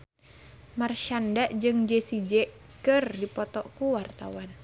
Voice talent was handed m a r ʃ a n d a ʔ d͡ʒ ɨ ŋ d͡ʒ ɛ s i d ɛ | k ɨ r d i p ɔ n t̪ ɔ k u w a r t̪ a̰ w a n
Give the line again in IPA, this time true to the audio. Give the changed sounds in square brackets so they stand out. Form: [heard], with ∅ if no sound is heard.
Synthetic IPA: m a r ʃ a n d a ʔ d͡ʒ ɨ ŋ d͡ʒ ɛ s i [d͡ʒ] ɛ | k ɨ r d i p ɔ [∅] t̪ ɔ k u w a r t̪ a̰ w a n